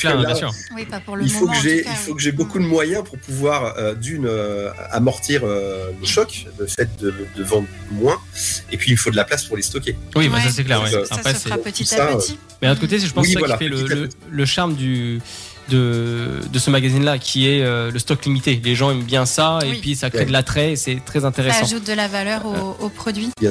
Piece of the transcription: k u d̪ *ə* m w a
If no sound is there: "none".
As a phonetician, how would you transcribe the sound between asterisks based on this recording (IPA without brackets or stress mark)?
ə